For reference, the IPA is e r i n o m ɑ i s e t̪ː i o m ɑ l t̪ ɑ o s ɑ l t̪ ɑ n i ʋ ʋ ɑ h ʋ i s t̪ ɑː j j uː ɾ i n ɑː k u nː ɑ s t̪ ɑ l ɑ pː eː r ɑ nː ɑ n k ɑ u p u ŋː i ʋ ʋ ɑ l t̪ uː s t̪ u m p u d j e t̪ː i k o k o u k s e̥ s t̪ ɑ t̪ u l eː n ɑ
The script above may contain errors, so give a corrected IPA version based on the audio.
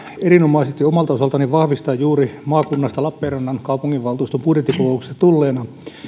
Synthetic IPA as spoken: e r i n o m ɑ i s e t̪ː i o m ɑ l t̪ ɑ o s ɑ l t̪ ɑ n i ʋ ʋ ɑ h ʋ i s t̪ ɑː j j uː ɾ i m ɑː k u nː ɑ s t̪ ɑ l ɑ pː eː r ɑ nː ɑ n k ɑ u p u ŋː i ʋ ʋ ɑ l t̪ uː s t̪ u m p u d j e t̪ː i k o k o u k s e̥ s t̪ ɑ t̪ u lː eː n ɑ